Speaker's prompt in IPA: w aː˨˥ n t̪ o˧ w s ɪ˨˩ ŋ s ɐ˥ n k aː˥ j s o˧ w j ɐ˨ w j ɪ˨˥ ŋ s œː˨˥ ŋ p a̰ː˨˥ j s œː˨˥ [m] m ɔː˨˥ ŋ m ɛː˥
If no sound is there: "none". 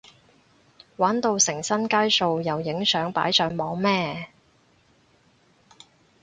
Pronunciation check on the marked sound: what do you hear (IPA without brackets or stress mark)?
ŋ